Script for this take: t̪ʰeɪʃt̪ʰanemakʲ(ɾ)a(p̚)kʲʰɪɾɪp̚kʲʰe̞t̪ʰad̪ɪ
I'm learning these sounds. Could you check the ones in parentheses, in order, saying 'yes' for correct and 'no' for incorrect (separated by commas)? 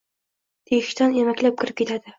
no, yes